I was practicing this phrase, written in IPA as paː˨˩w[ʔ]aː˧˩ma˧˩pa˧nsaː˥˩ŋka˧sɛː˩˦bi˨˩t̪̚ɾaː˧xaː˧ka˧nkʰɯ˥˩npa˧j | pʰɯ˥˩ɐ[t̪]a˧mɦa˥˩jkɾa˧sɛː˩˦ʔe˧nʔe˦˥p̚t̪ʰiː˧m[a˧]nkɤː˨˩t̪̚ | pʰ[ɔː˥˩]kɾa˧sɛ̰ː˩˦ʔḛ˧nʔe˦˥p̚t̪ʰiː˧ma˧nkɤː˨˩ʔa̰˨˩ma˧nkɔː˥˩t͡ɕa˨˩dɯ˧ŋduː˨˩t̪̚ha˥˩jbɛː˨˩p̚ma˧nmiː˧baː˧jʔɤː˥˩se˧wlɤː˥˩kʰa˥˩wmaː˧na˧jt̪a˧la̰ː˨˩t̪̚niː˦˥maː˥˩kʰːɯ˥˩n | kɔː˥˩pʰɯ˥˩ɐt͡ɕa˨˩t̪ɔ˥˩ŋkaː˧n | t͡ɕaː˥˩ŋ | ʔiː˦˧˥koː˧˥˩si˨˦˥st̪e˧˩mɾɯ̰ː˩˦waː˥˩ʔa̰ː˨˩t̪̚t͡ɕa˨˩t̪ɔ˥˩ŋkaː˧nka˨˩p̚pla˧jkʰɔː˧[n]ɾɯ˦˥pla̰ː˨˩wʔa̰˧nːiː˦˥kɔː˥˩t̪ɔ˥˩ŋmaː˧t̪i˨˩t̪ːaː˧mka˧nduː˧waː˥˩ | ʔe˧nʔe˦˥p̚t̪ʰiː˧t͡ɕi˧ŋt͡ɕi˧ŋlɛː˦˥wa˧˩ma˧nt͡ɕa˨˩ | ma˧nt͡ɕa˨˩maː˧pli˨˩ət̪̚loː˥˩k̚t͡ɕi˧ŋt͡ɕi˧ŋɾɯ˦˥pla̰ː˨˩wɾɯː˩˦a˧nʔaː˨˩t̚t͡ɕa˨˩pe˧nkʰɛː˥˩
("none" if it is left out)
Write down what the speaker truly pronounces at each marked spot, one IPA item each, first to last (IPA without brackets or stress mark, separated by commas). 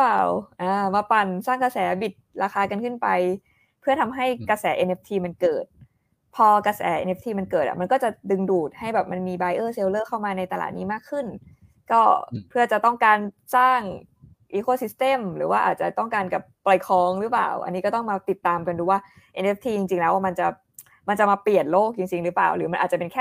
ʔ, t̪ʰ, a˧, ɔː˧, ŋ